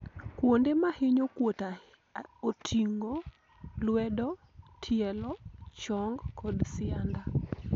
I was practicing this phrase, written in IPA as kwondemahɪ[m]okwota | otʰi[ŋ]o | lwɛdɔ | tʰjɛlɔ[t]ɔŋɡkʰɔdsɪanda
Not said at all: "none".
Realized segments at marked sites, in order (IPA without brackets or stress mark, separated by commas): ɲ, ŋ, t͡ʃ